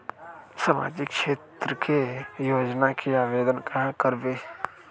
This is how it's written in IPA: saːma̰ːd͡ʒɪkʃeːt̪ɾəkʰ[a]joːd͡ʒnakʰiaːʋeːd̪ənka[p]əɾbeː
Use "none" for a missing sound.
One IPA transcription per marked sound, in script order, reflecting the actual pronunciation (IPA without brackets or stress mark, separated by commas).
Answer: e, k